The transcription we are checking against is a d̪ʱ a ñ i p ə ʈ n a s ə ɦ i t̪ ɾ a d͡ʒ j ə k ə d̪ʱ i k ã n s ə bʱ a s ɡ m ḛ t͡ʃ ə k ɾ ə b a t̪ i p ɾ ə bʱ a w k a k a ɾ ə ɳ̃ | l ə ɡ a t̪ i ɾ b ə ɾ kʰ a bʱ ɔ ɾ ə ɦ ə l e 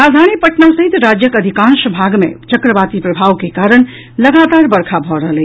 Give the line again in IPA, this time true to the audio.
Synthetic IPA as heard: a d̪ʱ a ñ i p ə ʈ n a s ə ɦ i t̪ ɾ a d͡ʒ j ə k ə d̪ʱ i k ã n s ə bʱ a ɡ m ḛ t͡ʃ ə k ɾ ə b a t̪ i p ɾ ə bʱ a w k e k a ɾ ə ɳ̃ | l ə ɡ a t̪ a ɾ b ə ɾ kʰ a bʱ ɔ ɾ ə ɦ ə l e

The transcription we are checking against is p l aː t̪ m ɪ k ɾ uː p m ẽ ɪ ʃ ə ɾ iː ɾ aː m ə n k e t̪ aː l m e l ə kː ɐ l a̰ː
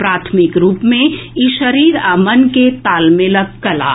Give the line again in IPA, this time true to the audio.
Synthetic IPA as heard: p ɾ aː t̪ʰ m ɪ k ɾ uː p m ẽ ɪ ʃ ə ɾ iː ɾ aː m ə n k e t̪ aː l m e l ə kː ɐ l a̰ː

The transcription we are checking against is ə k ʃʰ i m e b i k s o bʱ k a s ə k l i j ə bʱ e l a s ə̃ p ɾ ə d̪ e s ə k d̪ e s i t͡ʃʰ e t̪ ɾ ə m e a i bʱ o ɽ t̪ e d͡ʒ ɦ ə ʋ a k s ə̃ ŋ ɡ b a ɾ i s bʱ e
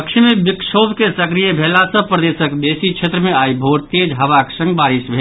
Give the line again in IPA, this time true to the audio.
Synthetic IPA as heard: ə k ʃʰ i m e b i k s o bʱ k e s ə k ɾ i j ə bʱ e l a s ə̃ p ɾ ə d̪ e s ə k d̪ e s i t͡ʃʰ e t̪ ɾ ə m e a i bʱ o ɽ t̪ e d͡ʒ ɦ ə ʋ a k s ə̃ ŋ ɡ b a ɾ i s bʱ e

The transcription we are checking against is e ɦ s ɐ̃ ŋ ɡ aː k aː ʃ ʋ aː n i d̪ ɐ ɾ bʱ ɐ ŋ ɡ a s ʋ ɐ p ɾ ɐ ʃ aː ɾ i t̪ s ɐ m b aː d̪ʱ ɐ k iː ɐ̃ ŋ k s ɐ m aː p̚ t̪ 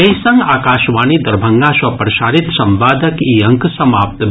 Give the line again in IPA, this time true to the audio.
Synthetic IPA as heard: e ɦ s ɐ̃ ŋ ɡ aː k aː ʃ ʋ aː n i d̪ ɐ ɾ bʱ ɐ ŋ ɡ a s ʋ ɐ p ɾ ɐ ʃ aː ɾ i t̪ s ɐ m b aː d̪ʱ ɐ k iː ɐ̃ ŋ k s ɐ m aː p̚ t̪

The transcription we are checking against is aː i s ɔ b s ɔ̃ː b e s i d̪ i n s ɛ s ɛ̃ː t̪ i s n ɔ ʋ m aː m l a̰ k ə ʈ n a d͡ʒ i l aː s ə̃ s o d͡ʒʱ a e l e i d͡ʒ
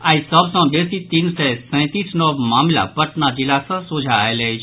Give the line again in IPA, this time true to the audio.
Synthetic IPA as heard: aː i s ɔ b s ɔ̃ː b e s i t̪ i n s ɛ s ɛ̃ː t̪ i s n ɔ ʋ m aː m l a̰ p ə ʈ n a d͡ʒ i l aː s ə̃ s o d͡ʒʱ a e l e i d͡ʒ

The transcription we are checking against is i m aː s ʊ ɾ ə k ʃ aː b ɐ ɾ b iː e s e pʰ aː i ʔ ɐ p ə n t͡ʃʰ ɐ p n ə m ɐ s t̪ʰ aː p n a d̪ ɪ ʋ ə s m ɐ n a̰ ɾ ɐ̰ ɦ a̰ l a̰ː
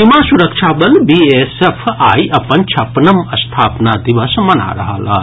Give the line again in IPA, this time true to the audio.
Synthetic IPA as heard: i m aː s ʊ ɾ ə k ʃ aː b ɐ l b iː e s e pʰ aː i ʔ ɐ p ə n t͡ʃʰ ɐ p n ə m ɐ s t̪ʰ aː p n a d̪ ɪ ʋ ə s m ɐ n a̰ ɾ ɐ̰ ɦ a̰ l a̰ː

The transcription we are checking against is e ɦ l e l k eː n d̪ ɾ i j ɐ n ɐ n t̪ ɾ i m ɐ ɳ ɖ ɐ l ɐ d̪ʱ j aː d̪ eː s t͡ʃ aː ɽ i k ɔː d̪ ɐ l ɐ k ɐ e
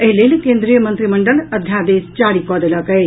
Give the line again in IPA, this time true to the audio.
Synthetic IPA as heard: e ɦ l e l k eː n d̪ ɾ i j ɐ m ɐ n t̪ ɾ i m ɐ ɳ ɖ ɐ l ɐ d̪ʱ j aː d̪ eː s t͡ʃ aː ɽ i k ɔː d̪ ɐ l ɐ k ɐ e

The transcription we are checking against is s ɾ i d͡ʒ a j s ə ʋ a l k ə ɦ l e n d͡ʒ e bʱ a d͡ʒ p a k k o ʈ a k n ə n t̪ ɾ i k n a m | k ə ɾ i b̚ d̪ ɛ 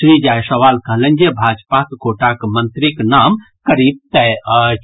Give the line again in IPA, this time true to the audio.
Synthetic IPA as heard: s ɾ i d͡ʒ a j s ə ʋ a l k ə ɦ l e n d͡ʒ e bʱ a d͡ʒ p a k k o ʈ a k m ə n t̪ ɾ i k n a m | k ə ɾ i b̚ t̪ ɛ

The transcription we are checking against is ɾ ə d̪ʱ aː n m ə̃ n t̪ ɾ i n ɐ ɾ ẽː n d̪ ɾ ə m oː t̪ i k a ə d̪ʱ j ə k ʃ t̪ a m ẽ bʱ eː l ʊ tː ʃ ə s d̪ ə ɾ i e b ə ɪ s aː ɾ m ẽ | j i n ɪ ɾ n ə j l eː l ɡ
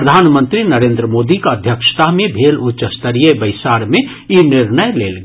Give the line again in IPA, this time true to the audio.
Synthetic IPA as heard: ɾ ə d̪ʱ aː n m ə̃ n t̪ ɾ i n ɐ ɾ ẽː n d̪ ɾ ə m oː d̪ i k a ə d̪ʱ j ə k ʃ t̪ a m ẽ bʱ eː l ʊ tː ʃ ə s t̪ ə ɾ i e b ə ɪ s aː ɾ m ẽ | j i n ɪ ɾ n ə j l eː l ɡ

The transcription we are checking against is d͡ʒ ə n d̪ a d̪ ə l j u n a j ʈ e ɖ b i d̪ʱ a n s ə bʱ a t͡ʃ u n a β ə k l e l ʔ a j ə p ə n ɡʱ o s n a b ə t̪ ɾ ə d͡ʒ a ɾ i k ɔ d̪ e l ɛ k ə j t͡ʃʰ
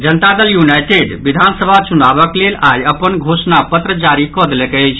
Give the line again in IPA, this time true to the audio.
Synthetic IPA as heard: d͡ʒ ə n t̪ a d̪ ə l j u n a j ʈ e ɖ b i d̪ʱ a n s ə bʱ a t͡ʃ u n a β ə k l e l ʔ a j ə p ə n ɡʱ o s n a p ə t̪ ɾ ə d͡ʒ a ɾ i k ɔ d̪ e l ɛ k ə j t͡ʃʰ

